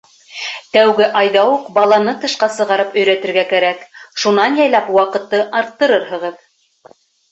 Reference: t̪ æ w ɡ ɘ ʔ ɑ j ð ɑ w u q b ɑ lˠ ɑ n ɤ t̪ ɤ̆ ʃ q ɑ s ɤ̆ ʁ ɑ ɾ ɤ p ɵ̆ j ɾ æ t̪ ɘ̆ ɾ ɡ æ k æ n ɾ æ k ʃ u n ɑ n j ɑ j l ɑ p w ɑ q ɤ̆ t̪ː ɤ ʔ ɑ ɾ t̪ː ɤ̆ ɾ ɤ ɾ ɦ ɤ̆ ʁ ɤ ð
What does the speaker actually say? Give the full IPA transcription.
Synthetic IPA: t̪ æ w ɡ ɘ ʔ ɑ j ð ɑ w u q b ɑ lˠ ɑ n ɤ t̪ ɤ̆ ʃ q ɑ s ɤ̆ ʁ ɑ ɾ ɤ p ɵ̆ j ɾ æ t̪ ɘ̆ ɾ ɡ æ k æ ɾ æ k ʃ u n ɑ n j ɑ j l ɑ p w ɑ q ɤ̆ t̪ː ɤ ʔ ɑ ɾ t̪ː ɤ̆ ɾ ɤ ɾ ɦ ɤ̆ ʁ ɤ ð